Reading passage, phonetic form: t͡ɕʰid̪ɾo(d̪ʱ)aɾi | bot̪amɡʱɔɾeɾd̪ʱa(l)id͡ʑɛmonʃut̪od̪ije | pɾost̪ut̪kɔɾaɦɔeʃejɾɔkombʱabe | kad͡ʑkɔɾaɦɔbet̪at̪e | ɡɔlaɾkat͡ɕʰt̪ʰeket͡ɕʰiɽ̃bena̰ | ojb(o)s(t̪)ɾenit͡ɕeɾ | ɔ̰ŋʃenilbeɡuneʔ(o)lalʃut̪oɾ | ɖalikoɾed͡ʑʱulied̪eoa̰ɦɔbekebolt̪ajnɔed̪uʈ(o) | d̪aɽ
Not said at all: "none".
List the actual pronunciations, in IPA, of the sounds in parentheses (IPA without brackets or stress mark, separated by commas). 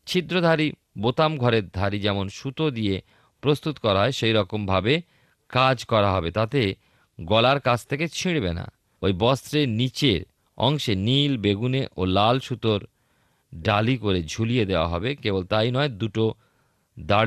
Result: d̪ʱ, ɾ, ɔ, t̪, o, o